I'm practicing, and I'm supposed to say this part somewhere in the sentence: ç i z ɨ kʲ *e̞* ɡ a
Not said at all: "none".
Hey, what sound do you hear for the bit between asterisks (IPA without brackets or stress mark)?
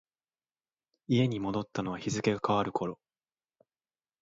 e̞